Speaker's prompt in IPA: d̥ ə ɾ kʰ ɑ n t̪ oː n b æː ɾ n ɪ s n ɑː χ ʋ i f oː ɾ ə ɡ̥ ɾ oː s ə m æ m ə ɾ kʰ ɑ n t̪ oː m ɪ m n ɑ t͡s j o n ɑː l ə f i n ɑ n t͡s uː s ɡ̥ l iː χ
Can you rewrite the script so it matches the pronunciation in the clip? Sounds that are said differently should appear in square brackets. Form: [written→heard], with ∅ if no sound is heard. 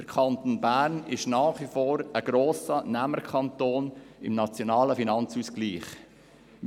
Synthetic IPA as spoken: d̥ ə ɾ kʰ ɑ n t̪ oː n b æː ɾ n ɪ [s→ʃ] n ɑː χ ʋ i f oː ɾ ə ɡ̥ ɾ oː s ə [m→n] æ m ə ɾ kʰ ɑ n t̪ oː [m→n] ɪ m n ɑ t͡s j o n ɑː l ə f i n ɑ n t͡s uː s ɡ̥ l iː χ